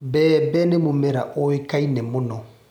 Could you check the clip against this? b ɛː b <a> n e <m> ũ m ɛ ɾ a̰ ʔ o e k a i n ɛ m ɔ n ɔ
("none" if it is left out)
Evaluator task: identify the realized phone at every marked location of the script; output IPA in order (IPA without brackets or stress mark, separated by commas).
ɛ, m